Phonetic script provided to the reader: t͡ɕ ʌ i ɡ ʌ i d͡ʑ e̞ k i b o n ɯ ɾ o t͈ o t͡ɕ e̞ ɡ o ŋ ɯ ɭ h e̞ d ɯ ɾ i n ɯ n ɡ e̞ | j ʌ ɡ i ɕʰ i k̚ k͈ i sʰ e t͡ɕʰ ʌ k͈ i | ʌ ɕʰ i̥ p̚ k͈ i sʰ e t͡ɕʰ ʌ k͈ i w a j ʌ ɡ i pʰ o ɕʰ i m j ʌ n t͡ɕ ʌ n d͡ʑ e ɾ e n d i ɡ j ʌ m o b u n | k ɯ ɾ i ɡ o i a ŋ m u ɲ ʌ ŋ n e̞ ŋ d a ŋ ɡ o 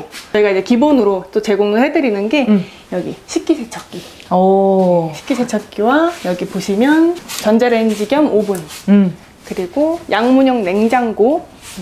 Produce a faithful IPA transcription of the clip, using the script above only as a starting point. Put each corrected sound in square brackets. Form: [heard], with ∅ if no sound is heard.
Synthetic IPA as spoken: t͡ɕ ʌ i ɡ [a] i d͡ʑ e̞ k i b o n ɯ ɾ o t͈ o t͡ɕ e̞ ɡ o ŋ ɯ ɭ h e̞ d ɯ ɾ i n ɯ n ɡ e̞ | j ʌ ɡ i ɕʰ i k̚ k͈ i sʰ e t͡ɕʰ ʌ k͈ i | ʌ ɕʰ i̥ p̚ k͈ i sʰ e t͡ɕʰ ʌ k͈ i w a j ʌ ɡ i [p] o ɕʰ i m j ʌ n t͡ɕ ʌ n d͡ʑ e ɾ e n [d͡ʑ] i ɡ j ʌ m o b u n | k ɯ ɾ i ɡ o [j] a ŋ m u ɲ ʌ ŋ n e̞ ŋ [d͡ʑ] a ŋ ɡ o